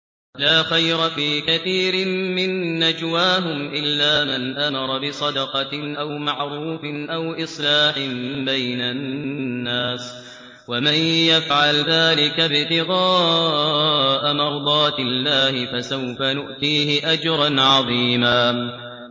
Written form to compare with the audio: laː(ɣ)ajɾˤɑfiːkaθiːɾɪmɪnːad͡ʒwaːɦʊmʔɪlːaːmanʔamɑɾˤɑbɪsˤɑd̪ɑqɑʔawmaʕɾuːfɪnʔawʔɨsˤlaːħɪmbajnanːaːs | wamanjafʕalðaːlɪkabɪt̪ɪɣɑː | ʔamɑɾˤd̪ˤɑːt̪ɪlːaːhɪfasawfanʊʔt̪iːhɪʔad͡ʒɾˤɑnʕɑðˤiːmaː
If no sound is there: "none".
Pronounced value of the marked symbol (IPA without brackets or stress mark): x